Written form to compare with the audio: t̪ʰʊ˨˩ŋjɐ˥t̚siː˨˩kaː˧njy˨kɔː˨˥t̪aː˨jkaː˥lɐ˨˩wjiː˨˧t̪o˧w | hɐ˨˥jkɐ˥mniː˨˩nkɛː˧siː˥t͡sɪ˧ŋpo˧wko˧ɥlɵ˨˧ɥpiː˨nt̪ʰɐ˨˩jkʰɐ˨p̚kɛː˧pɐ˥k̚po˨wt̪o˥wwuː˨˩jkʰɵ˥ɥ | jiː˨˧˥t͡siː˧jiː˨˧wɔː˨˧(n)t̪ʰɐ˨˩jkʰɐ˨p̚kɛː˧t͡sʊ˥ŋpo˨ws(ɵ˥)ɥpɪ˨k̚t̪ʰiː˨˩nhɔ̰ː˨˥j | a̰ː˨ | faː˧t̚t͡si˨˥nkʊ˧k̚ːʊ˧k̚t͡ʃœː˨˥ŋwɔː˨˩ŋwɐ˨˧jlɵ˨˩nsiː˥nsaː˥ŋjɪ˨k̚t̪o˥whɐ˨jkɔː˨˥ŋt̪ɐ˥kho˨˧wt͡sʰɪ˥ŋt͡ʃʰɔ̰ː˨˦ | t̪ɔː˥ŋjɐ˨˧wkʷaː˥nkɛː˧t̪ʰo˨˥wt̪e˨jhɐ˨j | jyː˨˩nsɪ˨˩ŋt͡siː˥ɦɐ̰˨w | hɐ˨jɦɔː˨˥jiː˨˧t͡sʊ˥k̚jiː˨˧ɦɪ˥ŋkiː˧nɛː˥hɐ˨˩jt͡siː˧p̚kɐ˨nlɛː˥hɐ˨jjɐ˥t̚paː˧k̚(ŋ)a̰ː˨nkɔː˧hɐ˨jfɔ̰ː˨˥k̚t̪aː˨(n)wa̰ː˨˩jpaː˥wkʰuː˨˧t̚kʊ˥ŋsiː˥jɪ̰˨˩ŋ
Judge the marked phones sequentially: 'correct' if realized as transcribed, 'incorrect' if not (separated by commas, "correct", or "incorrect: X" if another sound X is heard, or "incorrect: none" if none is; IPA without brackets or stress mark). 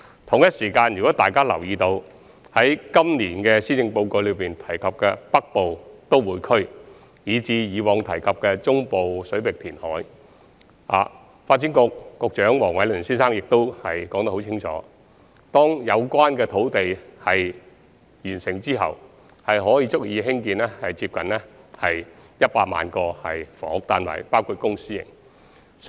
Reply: incorrect: ŋ, incorrect: ɵ˨˥, incorrect: m, correct